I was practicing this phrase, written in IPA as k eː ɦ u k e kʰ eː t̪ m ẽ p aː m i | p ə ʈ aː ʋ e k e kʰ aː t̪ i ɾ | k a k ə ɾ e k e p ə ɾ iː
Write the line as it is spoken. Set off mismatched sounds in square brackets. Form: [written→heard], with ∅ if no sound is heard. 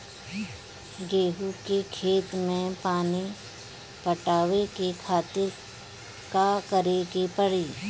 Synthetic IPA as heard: [k→ɡ] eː ɦ u k e kʰ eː t̪ m ẽ p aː [m→n] i | p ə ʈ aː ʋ e k e kʰ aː t̪ [i→ɪ] ɾ | k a k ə ɾ e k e p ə [ɾ→ɽ] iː